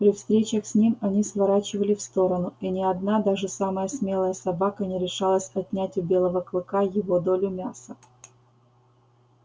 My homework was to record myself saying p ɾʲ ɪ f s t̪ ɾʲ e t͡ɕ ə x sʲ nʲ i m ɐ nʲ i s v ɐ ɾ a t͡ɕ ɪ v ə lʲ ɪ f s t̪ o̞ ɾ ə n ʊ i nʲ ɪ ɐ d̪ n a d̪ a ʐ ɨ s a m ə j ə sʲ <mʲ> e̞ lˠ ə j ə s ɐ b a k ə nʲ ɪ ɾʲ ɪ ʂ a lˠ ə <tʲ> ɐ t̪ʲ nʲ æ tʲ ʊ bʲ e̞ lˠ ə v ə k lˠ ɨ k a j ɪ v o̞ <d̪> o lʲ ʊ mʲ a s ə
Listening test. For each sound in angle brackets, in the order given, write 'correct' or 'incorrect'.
correct, incorrect, correct

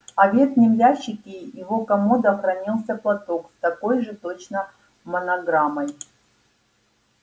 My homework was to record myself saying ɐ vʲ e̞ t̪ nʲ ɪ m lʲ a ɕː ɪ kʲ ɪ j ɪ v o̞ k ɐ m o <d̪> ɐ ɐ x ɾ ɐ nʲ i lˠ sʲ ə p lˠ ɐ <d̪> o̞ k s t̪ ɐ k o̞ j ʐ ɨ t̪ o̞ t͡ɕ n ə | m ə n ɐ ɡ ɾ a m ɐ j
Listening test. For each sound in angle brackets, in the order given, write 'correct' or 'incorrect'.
correct, incorrect

